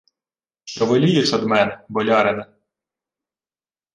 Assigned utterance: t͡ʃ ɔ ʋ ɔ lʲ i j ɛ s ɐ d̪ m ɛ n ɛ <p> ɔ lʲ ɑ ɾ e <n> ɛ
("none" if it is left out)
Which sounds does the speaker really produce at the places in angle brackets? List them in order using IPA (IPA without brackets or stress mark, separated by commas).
b, n